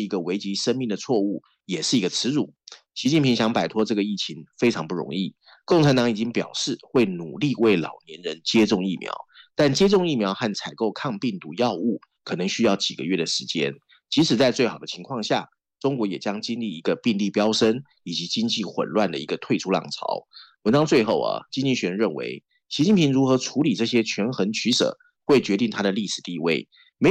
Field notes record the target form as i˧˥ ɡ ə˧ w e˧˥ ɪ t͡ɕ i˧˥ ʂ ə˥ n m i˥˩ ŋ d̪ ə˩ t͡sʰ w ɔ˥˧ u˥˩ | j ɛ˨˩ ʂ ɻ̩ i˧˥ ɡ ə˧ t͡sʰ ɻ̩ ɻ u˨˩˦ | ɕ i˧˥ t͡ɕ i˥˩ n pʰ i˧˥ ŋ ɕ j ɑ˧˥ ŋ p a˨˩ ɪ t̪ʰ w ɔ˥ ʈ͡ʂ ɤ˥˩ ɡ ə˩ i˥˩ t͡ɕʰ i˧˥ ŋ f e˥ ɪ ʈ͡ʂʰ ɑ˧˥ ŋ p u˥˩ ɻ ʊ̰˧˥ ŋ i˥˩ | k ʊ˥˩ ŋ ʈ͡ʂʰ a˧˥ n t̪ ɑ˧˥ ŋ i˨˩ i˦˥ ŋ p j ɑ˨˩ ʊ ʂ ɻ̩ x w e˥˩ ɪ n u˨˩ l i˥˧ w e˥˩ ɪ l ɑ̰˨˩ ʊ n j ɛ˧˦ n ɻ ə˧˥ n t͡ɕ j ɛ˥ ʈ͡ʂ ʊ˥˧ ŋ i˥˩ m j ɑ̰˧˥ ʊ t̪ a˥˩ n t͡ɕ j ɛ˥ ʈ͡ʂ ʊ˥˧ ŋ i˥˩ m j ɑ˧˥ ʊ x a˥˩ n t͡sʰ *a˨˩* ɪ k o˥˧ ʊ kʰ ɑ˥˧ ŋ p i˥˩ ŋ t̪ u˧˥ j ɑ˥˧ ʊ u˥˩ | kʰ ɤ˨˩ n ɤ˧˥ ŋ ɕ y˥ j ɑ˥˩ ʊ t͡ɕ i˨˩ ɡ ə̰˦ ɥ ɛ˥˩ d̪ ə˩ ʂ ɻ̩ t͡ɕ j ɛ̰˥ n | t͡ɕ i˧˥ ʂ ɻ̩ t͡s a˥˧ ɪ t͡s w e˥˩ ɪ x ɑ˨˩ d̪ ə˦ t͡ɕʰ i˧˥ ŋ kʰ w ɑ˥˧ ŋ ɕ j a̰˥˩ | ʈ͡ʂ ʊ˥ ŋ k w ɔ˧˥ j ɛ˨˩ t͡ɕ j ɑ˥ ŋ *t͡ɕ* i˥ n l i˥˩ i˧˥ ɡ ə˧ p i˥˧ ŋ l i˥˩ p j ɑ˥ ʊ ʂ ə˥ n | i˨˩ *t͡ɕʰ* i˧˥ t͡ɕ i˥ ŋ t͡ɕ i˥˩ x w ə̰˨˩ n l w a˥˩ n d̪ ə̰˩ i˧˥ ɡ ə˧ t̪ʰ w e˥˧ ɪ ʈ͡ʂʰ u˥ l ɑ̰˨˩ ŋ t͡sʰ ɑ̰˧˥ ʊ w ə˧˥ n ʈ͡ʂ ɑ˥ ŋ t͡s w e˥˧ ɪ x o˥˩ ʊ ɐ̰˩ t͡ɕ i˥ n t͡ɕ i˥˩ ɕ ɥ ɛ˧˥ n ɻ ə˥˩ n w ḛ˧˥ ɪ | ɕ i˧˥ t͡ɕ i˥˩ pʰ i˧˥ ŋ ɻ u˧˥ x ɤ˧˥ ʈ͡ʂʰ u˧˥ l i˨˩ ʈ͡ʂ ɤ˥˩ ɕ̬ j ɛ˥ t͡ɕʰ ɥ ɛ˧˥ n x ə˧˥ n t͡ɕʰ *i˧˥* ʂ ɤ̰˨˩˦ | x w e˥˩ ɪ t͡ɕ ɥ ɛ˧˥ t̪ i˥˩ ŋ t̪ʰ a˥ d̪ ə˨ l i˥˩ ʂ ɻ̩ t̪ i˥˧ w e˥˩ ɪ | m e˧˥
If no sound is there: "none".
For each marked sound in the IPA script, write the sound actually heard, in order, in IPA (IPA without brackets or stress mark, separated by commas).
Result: a˨˩, t͡ɕ, t͡ɕ, y˧˥